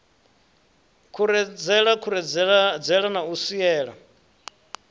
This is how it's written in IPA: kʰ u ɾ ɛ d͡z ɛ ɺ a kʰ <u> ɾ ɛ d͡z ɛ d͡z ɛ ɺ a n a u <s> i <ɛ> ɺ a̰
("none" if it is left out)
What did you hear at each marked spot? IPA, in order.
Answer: u, s, ɛː

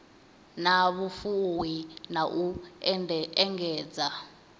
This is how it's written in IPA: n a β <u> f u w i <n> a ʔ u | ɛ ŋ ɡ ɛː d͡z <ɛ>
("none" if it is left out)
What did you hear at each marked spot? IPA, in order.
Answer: u, n, a

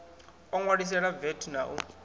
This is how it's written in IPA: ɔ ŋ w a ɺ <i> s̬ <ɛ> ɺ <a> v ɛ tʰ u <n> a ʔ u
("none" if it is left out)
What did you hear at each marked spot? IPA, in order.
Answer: i, ɛ, a, n

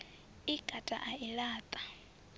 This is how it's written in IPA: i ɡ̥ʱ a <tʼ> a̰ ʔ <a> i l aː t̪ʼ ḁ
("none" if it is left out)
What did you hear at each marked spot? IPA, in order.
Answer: tʼ, a

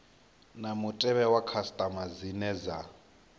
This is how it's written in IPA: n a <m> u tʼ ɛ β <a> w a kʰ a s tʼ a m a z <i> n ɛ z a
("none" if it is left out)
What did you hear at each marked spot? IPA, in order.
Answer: m, ɛ, i

